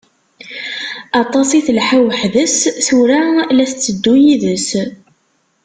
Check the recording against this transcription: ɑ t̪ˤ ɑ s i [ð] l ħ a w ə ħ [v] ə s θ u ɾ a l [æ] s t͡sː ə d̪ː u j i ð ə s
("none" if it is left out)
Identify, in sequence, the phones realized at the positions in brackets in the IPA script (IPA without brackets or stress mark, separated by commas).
θ, ð, æ